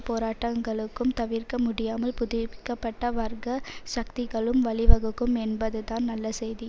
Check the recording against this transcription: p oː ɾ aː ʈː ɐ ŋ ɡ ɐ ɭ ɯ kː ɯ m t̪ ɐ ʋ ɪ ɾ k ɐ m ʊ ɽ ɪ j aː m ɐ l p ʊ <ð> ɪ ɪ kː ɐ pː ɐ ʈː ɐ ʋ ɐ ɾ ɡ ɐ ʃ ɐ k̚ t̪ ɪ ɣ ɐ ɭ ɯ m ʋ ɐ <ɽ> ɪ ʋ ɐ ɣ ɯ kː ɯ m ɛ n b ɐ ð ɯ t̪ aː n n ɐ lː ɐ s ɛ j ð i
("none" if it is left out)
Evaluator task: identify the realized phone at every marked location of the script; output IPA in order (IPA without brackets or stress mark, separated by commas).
ð, ɭ